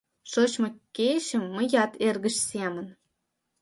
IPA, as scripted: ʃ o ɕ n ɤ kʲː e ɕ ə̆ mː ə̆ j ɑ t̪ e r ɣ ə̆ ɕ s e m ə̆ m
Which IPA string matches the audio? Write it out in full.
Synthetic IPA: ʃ o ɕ m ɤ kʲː e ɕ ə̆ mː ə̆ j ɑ t̪ e r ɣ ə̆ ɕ s e m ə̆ n